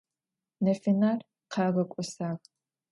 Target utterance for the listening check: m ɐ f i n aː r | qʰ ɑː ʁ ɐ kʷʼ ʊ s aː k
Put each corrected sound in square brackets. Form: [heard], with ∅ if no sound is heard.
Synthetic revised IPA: [n] ɐ f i n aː r | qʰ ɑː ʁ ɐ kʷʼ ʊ s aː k